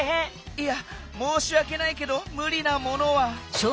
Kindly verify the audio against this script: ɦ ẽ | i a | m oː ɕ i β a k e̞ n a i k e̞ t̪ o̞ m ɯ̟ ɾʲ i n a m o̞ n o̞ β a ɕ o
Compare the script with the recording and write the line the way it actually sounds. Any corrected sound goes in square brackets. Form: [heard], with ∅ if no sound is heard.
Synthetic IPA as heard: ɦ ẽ | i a | m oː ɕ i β a k e̞ n a i k e̞ [d̪] o̞ m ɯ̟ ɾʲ i n a m o̞ n o̞ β a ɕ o